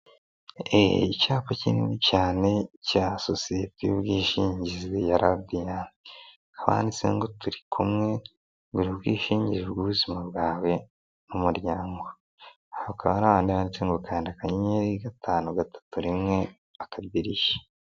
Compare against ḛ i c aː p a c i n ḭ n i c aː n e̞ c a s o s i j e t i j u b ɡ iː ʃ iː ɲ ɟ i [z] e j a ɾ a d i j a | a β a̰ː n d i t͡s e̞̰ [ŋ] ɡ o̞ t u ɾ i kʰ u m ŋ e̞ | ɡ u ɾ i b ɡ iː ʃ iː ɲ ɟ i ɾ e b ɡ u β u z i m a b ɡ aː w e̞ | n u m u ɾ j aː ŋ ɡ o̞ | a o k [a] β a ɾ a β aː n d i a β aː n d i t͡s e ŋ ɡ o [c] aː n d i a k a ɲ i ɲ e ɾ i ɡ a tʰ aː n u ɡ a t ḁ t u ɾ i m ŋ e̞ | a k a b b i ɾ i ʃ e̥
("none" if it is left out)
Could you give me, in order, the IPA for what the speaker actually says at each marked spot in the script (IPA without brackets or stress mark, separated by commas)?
z, ŋ, a, k